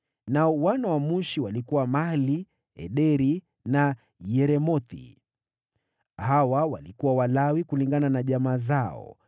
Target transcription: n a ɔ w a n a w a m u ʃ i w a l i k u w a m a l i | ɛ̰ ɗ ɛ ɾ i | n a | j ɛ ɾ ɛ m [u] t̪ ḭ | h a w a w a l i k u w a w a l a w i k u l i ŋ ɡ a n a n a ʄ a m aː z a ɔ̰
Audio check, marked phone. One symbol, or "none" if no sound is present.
ɔ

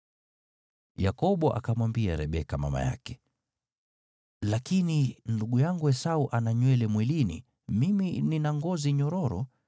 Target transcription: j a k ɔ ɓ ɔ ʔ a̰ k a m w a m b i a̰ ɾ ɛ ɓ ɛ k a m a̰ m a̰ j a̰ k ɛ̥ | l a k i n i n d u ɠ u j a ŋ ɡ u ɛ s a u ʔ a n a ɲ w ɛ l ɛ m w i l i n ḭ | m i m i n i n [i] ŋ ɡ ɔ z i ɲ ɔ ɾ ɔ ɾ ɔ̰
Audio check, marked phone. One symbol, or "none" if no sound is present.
a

